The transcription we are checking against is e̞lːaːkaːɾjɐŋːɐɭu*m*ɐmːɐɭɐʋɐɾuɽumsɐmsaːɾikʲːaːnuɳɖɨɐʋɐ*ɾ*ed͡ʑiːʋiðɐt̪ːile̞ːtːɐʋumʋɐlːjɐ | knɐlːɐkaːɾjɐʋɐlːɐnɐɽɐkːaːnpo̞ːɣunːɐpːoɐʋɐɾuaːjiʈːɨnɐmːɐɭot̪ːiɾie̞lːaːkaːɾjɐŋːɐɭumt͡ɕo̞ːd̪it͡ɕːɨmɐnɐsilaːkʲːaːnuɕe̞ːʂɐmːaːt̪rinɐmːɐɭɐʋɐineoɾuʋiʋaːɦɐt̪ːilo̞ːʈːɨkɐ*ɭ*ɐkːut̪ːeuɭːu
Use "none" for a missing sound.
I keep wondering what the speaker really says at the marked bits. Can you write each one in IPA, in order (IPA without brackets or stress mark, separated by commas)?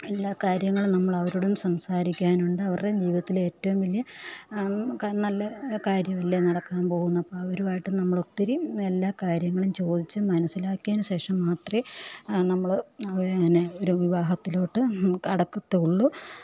n, r, ɽ